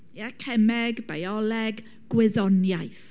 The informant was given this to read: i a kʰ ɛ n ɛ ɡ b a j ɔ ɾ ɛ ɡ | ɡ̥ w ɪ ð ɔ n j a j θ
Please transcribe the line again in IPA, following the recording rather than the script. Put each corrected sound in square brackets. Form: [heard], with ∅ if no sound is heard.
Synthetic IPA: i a kʰ ɛ [m] ɛ ɡ b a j ɔ [l] ɛ ɡ | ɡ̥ w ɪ ð ɔ n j a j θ